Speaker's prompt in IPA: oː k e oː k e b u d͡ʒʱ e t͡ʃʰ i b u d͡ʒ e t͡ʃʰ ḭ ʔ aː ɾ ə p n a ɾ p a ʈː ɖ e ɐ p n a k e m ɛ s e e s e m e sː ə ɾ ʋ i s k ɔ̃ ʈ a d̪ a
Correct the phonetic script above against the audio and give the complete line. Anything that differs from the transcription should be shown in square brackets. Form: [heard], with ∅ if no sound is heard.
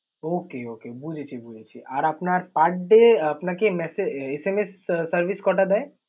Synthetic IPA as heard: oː k e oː k e b u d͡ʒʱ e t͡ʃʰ i b u d͡ʒ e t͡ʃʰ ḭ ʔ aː ɾ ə p n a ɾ p a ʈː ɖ e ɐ p n a k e m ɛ s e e s e m e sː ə ɾ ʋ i s k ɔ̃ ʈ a d̪ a